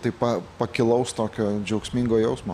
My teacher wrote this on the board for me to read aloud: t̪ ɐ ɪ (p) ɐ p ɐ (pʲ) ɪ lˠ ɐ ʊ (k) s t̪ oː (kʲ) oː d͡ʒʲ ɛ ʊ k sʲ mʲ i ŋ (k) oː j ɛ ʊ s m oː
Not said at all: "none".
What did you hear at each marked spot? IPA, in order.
p, kʲ, none, kʲ, ɡ

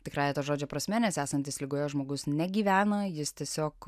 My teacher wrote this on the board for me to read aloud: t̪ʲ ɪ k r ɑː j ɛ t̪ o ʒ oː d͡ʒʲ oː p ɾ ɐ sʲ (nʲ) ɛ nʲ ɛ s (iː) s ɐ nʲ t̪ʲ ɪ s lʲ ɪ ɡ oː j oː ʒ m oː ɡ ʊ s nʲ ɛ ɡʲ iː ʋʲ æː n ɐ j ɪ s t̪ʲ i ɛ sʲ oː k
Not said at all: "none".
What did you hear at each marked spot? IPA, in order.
mʲ, æː

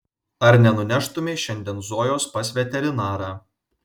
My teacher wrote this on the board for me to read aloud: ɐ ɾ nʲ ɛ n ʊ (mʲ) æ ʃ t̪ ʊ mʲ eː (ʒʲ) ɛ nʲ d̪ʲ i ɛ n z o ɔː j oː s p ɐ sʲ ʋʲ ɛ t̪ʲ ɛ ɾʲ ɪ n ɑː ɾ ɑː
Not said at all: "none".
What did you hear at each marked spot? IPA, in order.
nʲ, ʃʲ

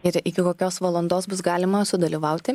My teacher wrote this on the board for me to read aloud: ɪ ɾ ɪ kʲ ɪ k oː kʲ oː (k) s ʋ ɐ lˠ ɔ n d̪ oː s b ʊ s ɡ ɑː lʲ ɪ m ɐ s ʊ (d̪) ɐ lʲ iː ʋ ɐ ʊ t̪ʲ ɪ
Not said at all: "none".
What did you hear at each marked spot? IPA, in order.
none, d̪

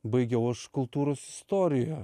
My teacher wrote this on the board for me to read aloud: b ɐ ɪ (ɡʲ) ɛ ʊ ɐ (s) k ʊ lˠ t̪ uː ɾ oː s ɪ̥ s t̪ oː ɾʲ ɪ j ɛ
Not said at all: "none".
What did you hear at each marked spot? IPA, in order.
ɡʲ, ʃ

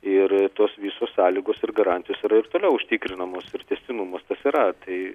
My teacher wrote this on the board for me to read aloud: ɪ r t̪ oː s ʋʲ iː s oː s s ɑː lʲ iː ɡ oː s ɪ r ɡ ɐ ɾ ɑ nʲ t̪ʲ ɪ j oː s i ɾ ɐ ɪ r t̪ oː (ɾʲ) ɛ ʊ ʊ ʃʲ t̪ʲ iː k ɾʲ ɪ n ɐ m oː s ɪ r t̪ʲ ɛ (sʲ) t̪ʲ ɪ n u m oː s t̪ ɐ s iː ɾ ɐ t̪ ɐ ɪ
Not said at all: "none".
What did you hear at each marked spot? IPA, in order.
lʲ, sʲ

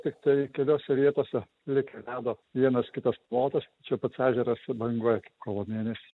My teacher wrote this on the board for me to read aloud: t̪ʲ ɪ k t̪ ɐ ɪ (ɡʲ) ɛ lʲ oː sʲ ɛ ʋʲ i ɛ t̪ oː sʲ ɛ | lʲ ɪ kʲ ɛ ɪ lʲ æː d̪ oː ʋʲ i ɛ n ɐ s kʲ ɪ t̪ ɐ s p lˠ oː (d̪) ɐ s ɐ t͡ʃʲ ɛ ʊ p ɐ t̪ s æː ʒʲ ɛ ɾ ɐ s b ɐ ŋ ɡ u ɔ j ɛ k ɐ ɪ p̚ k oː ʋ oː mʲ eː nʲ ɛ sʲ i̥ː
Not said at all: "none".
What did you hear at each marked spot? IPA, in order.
kʲ, t̪

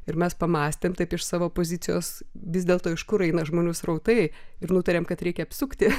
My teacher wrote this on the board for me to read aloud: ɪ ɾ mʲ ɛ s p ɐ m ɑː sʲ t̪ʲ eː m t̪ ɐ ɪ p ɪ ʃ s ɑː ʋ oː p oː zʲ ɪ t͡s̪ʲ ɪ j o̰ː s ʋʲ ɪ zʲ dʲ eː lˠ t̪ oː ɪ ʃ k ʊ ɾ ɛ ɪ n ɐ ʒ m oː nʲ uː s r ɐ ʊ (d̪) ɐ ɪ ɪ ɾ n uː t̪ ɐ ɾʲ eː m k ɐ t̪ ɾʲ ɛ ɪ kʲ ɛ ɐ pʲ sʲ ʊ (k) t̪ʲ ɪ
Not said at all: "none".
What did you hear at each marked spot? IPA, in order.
t̪, k

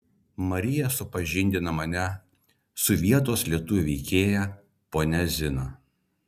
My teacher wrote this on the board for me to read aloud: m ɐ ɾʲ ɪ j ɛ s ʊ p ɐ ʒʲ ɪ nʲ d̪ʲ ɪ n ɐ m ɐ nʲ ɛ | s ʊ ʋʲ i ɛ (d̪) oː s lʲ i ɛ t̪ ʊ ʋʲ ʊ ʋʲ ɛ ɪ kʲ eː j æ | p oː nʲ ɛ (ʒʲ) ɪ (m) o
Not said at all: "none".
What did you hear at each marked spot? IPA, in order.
t̪, zʲ, n

